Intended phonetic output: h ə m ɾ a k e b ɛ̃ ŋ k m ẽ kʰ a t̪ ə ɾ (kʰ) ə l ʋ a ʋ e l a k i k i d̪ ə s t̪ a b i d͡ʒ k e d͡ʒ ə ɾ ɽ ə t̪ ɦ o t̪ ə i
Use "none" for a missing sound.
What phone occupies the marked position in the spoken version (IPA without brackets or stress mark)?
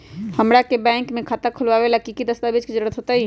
kʰ